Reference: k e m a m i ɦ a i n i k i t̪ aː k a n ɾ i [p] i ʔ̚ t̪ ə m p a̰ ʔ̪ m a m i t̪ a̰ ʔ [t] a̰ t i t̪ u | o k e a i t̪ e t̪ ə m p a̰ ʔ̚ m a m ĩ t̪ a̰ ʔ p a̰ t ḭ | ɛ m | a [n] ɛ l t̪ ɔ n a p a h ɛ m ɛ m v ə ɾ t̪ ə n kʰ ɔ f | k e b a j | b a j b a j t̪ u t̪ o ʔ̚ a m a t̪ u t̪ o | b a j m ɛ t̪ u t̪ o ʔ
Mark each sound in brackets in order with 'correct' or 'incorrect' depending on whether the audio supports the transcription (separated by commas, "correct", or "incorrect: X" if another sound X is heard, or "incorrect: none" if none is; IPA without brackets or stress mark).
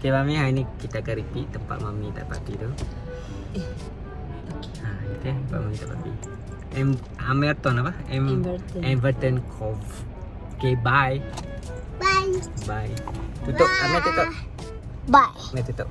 correct, incorrect: p, incorrect: m